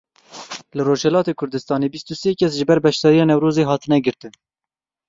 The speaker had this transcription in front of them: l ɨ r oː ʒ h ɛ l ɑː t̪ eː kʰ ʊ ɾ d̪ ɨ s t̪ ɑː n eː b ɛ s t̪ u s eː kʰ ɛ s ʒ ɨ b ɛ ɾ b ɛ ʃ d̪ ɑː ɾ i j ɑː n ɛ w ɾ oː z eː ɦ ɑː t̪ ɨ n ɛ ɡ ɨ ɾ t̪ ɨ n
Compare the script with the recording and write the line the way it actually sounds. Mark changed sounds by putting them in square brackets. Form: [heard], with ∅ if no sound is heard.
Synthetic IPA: l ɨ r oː ʒ h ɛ l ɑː t̪ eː kʰ ʊ ɾ d̪ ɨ s t̪ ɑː n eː b [i] s t̪ u s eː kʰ ɛ s ʒ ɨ b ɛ ɾ b ɛ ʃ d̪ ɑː ɾ i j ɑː n ɛ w ɾ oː z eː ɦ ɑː t̪ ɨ n ɛ ɡ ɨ ɾ t̪ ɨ n